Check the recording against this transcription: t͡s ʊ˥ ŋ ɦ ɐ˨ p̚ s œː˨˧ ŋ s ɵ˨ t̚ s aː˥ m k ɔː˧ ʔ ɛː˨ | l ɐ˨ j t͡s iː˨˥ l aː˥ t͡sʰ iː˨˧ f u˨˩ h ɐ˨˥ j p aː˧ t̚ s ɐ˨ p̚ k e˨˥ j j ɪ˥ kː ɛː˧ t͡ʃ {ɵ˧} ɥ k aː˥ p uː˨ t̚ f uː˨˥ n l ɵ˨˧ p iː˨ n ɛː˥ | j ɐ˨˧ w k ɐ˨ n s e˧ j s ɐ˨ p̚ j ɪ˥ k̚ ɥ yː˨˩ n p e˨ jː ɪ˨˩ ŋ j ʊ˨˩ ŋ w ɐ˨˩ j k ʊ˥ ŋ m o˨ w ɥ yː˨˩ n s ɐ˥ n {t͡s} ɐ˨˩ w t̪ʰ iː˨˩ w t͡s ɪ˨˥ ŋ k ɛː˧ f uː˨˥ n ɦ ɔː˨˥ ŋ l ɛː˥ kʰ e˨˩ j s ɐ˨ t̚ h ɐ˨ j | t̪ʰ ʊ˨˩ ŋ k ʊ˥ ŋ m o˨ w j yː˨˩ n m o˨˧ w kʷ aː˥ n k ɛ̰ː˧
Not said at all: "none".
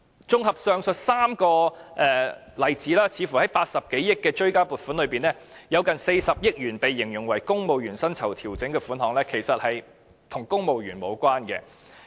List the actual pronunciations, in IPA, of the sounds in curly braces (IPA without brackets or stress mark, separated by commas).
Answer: ɵ˥, t͡sʰ